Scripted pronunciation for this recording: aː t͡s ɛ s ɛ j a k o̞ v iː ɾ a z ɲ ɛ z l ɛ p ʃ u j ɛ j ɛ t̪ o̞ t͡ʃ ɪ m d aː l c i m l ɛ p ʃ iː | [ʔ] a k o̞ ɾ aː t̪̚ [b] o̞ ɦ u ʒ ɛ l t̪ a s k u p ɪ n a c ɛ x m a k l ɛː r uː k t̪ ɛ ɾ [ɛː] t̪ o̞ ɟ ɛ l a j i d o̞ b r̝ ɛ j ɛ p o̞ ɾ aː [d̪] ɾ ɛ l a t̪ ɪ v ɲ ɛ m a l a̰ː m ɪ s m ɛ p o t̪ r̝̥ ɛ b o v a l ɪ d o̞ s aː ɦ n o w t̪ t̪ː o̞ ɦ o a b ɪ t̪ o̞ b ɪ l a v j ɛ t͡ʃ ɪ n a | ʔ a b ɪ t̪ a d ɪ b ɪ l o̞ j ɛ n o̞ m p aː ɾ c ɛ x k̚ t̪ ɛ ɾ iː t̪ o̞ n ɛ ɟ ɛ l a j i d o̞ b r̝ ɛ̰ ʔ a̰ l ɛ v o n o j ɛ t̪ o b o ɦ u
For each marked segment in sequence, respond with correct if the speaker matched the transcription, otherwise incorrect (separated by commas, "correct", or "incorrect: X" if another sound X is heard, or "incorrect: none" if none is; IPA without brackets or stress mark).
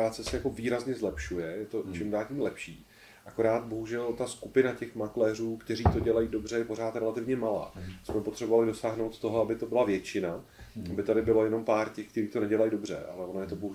correct, correct, incorrect: iː, incorrect: t̪